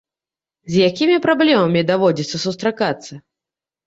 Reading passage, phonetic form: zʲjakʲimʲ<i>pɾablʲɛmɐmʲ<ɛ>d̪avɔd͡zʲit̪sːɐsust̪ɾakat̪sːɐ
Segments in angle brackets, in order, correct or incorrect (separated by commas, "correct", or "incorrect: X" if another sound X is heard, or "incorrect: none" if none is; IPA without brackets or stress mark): correct, incorrect: i